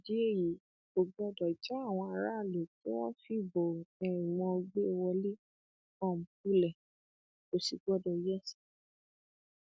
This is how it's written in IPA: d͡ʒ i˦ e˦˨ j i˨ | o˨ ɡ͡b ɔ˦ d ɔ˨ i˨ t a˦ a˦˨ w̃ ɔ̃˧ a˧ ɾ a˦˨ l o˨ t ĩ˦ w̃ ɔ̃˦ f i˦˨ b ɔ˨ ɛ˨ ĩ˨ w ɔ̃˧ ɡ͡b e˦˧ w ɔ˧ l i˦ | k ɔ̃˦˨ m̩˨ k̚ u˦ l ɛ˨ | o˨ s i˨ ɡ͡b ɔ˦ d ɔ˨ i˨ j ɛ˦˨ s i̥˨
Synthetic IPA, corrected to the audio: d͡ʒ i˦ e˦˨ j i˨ | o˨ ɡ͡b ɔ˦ d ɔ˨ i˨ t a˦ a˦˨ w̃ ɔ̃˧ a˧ ɾ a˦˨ l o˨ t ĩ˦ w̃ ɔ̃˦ f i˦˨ b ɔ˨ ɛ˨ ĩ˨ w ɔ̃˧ ɡ͡b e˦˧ w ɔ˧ l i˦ | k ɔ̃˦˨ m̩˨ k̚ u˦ l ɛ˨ | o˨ s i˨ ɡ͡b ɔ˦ d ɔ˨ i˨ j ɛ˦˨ s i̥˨